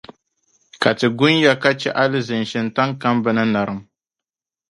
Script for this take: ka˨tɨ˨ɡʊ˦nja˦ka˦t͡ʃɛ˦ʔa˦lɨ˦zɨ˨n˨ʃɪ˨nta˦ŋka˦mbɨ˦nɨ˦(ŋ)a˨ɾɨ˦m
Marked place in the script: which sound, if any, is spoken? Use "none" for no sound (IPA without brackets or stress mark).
n